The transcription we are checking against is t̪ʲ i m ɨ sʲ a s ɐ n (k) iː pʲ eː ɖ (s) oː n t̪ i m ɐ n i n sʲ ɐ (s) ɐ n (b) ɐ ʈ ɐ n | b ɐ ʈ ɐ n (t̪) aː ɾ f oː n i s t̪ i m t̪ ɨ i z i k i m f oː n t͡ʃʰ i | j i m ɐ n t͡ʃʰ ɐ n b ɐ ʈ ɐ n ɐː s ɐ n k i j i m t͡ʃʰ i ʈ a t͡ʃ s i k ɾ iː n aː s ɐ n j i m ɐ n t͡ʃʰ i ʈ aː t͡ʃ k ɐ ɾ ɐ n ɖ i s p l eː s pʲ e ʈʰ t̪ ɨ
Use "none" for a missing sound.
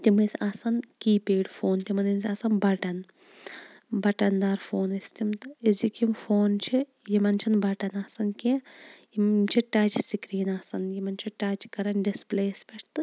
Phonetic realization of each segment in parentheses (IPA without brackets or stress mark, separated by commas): k, f, s, b, d̪